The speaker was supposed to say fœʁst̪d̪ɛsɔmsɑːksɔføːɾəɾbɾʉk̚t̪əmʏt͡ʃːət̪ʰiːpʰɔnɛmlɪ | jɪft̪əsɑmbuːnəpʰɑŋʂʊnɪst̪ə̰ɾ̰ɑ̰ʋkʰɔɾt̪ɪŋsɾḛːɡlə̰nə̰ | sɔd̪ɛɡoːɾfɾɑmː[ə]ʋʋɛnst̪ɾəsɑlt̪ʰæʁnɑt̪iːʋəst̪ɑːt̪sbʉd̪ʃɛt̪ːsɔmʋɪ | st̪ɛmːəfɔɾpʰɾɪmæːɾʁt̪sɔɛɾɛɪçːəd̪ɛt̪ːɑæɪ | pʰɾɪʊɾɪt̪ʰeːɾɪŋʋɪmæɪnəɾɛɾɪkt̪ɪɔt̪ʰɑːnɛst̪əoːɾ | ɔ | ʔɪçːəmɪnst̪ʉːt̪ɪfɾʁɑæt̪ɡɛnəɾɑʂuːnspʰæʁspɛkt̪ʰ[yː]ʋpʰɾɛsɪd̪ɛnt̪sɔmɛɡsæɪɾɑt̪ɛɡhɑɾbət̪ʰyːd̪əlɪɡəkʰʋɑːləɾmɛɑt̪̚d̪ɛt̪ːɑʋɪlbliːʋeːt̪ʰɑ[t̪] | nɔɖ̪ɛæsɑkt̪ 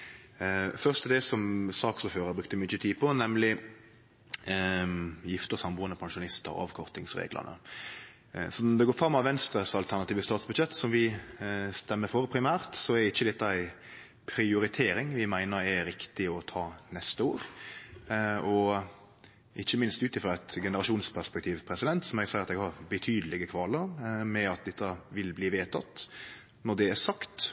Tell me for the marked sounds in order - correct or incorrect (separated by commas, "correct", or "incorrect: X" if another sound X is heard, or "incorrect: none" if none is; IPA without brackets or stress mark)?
incorrect: ɑ, incorrect: iː, correct